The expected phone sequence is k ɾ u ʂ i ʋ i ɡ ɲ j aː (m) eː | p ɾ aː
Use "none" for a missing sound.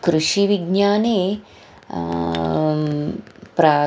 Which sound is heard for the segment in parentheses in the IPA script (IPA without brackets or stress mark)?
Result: n